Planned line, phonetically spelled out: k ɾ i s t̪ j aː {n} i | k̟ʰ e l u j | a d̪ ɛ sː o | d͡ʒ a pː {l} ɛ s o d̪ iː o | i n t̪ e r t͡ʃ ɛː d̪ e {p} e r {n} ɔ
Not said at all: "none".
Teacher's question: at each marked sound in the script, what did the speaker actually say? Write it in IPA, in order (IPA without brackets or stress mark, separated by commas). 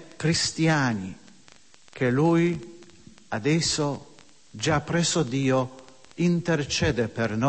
n, ɾ, p, n